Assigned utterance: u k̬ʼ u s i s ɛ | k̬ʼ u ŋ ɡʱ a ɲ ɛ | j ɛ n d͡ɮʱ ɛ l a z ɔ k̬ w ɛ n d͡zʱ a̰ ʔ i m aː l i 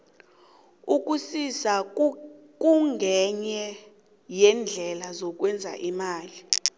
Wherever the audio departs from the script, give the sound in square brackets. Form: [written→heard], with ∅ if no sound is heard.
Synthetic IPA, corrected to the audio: u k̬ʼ u s i s [ɛ→a] | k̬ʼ u ŋ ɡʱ [a→ɛ] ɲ ɛ | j ɛ n d͡ɮʱ ɛ l a z ɔ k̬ w ɛ n d͡zʱ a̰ ʔ i m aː l i